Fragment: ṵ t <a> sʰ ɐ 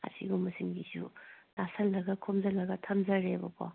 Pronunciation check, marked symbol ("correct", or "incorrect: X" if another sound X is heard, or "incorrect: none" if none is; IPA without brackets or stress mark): correct